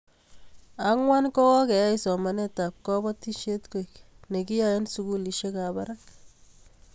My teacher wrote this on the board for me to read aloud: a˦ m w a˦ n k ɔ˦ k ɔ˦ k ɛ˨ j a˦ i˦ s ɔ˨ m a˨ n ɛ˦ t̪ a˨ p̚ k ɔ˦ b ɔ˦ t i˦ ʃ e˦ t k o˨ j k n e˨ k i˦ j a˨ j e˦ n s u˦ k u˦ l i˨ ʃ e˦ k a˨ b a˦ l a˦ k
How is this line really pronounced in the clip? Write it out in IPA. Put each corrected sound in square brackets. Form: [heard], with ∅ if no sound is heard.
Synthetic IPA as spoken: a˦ [ŋ] w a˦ n k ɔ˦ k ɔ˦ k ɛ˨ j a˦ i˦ s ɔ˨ m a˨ n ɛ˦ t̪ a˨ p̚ k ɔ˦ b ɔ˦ t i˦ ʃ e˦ t k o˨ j k n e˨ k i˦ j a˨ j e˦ n s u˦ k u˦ l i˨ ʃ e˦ k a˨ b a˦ [ɾ] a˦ k

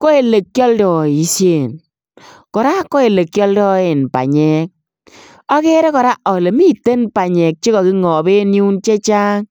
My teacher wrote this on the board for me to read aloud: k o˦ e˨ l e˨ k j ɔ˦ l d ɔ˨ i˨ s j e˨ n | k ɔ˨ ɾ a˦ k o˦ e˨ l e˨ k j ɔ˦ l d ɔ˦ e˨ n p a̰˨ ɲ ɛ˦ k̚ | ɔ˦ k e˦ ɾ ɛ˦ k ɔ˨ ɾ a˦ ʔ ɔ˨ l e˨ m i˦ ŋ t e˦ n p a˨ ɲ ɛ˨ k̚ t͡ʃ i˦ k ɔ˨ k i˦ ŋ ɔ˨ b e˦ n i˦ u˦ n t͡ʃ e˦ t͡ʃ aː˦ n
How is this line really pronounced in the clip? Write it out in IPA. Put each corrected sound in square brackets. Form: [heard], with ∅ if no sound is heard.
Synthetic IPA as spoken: k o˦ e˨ l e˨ k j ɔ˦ l d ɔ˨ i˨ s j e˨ n | k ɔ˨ ɾ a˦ k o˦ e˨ l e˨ k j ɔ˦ l d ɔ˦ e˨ n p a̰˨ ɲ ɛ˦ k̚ | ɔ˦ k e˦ ɾ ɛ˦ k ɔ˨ ɾ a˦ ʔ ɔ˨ l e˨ m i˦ [∅] t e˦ n p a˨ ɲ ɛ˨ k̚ t͡ʃ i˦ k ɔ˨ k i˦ ŋ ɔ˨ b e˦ n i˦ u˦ n t͡ʃ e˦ t͡ʃ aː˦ [ŋ]

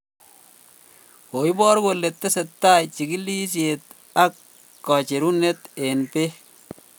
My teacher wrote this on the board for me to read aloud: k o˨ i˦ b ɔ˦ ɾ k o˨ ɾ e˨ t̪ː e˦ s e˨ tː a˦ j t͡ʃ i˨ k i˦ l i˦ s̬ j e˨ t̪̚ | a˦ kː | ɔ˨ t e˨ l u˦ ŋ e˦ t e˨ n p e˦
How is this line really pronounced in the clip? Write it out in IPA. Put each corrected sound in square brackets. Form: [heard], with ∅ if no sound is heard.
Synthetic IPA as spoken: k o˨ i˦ b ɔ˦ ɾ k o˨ [l] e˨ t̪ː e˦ s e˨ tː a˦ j t͡ʃ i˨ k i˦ l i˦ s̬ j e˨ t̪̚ | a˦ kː | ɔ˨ [t͡ʃ] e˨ [ɾ] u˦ [n] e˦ t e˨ n p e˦

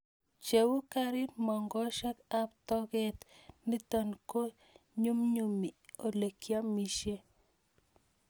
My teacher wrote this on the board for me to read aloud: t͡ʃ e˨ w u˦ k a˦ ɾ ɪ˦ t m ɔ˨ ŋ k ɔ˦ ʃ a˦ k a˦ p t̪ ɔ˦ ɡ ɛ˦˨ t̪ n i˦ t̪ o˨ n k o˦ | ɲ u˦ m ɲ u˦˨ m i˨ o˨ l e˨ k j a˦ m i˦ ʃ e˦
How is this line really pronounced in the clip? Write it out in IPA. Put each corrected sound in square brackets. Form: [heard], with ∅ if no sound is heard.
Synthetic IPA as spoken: t͡ʃ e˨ w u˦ k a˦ ɾ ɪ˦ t m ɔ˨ ŋ [ɡ] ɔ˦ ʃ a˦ k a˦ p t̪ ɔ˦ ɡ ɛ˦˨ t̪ n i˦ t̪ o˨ n k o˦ | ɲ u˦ m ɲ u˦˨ m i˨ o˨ l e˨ k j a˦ m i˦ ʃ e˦

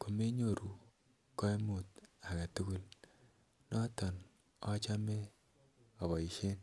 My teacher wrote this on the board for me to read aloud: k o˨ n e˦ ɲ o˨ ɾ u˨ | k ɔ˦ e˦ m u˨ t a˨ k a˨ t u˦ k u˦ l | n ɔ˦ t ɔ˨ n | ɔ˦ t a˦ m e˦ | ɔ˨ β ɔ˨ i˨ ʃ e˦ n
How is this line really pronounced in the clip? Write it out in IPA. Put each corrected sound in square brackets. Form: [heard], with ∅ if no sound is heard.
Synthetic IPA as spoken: k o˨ [m] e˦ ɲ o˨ ɾ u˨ | k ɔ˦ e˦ m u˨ t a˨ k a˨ t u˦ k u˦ l | n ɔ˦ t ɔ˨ n | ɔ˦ [t͡ʃ] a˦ m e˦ | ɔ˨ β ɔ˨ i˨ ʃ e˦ n

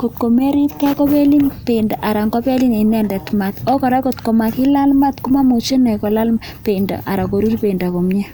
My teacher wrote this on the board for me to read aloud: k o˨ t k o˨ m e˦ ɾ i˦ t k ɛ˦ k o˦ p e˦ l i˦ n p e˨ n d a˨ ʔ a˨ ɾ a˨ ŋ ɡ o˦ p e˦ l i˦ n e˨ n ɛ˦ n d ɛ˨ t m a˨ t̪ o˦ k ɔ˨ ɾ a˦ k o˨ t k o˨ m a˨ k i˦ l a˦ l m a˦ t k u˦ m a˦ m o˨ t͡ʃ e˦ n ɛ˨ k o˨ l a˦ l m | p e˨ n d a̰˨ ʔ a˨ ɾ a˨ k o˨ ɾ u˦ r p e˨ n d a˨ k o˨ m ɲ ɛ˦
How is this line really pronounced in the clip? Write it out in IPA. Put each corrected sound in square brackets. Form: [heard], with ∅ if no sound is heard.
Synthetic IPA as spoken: k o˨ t k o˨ m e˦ ɾ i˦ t k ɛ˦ k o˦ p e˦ l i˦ n p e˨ n d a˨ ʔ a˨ ɾ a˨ ŋ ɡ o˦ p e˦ l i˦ n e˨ n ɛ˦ n d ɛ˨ t m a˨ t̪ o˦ k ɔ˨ ɾ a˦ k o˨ t k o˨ m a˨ k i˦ l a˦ l m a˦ t k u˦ m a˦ m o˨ t͡ʃ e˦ n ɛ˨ k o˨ l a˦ l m | p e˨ n d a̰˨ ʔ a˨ ɾ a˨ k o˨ ɾ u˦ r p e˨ n d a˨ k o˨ m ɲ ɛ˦

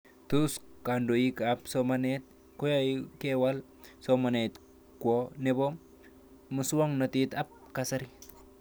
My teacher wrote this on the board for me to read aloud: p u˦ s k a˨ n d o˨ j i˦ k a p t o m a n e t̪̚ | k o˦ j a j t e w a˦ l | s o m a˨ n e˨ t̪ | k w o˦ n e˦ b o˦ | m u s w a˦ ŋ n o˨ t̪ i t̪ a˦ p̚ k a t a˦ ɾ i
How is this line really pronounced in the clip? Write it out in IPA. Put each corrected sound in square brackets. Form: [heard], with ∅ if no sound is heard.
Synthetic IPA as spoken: [t] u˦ s k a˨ n d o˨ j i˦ k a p [s] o m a n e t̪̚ | k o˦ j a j [k] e w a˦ l | s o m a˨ n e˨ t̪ | k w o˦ n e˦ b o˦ | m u s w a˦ ŋ n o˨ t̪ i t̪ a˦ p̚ k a [s] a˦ ɾ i

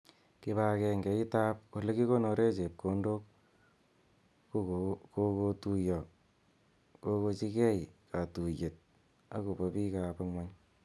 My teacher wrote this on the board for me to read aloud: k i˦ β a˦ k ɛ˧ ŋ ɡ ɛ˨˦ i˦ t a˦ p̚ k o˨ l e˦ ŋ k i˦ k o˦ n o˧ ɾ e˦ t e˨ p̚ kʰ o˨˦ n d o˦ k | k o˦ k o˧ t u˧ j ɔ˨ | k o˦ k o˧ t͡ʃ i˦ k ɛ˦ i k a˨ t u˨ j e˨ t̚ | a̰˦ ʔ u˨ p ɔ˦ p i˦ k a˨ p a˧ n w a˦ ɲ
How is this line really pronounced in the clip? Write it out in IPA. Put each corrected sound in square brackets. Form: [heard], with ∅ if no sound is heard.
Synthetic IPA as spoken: k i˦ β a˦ k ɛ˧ ŋ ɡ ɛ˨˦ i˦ t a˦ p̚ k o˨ l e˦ [∅] k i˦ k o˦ n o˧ ɾ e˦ [t͡ʃ] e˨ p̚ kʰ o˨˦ n d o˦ k | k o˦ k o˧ t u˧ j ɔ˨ | k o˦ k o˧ t͡ʃ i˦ k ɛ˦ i k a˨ t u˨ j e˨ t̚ | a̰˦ [k] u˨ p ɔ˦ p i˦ k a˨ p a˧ [ŋ] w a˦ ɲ

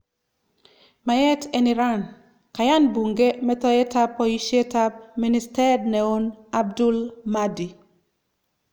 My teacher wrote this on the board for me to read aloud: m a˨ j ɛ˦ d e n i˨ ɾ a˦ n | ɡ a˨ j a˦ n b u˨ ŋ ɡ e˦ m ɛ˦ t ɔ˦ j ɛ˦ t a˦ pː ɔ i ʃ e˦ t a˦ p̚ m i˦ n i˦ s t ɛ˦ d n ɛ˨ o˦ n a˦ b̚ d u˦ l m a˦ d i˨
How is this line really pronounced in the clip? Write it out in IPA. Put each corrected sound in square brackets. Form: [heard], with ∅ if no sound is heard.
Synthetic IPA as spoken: m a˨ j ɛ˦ [t] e n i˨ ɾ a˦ n | [k] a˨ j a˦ n b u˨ ŋ ɡ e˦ m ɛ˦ t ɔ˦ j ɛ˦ t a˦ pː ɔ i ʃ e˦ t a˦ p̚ m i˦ n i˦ s t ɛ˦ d n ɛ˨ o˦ n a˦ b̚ d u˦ l m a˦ d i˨

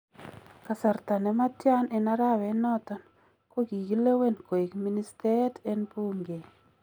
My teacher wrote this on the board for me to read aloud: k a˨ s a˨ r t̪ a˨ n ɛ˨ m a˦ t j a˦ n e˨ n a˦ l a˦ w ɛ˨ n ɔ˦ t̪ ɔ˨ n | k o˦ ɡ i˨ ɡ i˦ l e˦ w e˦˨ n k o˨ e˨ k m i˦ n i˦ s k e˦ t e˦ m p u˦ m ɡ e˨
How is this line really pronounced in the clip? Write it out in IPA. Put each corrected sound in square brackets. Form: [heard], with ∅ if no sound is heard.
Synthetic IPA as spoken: k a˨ s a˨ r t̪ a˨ n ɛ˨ m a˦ t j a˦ n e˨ n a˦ [ɾ] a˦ w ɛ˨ n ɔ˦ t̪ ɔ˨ n | k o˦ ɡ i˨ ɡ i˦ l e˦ w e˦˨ n k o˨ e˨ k m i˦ n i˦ s [t] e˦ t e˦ [n] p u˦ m ɡ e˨

